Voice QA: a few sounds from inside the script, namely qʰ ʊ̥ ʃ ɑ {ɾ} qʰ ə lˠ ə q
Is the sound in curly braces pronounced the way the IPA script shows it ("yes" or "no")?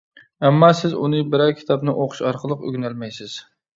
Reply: yes